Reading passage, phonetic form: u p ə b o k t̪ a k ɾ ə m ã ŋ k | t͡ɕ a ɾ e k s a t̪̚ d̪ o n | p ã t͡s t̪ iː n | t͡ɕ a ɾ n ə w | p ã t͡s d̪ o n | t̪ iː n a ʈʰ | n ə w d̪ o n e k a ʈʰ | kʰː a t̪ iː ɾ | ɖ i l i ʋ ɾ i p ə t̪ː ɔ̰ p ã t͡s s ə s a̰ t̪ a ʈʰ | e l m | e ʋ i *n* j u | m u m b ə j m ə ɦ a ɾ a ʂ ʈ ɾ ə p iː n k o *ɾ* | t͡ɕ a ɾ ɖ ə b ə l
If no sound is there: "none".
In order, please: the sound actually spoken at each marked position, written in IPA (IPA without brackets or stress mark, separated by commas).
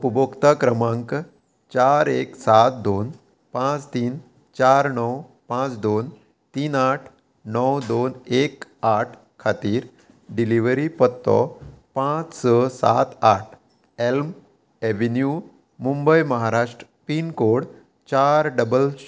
n, ɽ